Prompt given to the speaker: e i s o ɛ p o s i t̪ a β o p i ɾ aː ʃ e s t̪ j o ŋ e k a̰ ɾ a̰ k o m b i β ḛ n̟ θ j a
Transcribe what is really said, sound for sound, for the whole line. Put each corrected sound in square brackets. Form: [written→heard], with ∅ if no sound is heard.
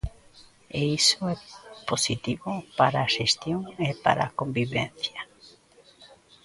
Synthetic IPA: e i s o ɛ p o s i t̪ [a→i] β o p [i→a] ɾ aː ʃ e s t̪ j o ŋ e [k→p] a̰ ɾ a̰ k o m b i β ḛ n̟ θ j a